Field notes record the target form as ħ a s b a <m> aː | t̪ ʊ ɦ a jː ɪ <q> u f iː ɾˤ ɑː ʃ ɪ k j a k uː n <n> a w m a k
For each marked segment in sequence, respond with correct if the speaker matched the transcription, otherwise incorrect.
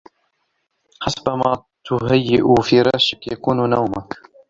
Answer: correct, incorrect: ʔ, correct

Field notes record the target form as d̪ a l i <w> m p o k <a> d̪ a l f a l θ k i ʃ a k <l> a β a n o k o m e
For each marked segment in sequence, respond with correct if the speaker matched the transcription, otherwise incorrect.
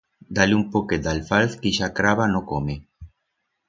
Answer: incorrect: u, incorrect: e, incorrect: ɾ

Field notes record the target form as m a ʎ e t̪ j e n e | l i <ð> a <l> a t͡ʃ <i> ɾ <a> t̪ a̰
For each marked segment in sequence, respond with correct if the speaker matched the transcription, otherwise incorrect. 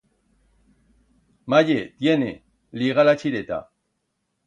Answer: incorrect: ɣ, correct, correct, incorrect: e

